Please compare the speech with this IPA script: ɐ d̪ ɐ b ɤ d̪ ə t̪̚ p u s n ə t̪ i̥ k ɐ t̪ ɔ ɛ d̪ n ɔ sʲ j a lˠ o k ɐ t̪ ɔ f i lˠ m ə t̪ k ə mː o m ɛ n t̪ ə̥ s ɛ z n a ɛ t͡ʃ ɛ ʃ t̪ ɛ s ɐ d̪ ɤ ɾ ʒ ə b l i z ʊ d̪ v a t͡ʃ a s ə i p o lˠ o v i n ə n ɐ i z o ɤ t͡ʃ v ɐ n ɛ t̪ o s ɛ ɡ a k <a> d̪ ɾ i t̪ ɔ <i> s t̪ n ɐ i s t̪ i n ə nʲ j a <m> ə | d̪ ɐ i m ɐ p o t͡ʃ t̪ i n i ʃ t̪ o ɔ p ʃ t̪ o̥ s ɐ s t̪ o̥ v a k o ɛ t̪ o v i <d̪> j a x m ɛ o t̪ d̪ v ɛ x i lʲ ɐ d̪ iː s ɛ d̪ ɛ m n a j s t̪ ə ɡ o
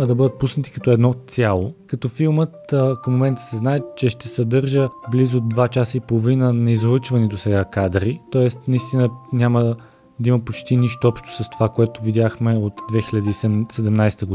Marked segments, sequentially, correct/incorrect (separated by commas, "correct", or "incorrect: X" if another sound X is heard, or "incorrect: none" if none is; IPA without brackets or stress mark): correct, incorrect: ɛ, correct, correct